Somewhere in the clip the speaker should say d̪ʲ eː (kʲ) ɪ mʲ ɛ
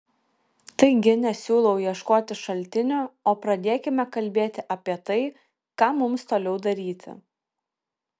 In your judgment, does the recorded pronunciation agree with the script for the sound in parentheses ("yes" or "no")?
yes